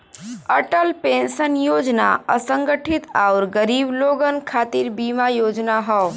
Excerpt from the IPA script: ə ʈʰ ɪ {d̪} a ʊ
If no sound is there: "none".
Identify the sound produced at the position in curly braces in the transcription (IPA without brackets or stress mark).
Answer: t̪